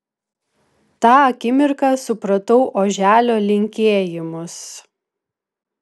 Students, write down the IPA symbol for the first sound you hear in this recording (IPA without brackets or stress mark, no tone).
t̪